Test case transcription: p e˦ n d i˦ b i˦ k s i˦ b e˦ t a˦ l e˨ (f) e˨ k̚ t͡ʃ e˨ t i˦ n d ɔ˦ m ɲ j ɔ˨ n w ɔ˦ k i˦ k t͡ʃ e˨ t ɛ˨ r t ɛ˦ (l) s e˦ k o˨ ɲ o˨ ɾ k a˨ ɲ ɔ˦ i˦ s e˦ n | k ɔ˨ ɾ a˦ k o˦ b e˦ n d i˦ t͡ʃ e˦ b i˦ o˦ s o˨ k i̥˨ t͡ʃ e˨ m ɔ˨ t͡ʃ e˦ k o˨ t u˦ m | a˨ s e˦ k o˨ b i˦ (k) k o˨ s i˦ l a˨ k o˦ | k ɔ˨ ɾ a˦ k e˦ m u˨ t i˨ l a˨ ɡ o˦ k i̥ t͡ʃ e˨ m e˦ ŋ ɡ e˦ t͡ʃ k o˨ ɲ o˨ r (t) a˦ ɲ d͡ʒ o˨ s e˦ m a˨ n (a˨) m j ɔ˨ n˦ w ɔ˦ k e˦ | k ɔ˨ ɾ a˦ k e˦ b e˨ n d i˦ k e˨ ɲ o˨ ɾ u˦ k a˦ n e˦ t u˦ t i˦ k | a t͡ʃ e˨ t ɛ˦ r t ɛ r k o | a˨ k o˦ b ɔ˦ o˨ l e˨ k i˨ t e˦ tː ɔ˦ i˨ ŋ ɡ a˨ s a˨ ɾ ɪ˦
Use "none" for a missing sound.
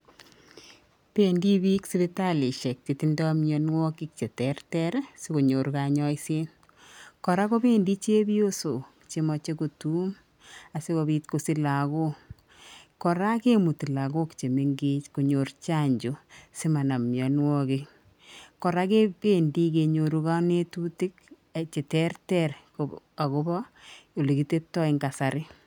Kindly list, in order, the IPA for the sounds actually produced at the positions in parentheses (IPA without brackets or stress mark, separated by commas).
ʃ, ɾ, t, t͡ʃ, a˨